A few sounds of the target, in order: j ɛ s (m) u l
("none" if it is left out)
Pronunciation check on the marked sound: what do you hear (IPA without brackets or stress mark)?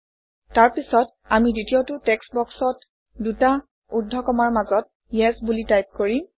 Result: b